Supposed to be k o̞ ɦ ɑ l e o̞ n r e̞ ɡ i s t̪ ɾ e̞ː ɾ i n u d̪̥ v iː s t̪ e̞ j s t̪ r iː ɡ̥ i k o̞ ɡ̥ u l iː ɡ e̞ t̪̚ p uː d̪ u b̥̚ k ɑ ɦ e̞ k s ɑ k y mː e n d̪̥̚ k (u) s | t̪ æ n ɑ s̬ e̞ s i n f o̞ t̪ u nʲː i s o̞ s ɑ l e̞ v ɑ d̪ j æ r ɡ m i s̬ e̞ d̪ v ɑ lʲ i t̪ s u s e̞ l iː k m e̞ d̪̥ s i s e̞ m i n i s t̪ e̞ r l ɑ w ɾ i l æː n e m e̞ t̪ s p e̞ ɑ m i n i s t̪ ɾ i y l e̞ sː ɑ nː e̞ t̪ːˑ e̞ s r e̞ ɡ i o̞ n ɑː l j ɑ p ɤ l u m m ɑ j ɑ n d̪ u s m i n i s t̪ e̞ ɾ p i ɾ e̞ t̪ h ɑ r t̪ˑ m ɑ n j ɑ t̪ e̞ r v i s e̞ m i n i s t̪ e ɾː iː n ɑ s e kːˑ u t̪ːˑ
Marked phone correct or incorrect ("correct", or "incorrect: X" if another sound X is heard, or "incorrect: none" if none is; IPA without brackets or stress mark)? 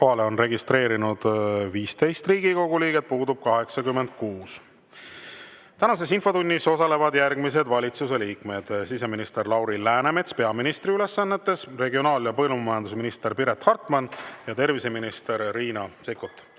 incorrect: uː